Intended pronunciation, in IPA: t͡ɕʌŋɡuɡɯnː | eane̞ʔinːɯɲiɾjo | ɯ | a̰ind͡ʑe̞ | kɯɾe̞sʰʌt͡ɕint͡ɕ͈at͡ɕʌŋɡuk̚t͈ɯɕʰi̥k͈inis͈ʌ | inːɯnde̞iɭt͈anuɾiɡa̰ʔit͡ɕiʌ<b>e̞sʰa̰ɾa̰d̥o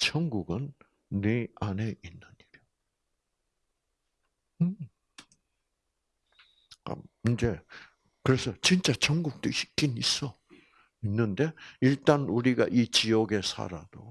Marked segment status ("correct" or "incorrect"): incorrect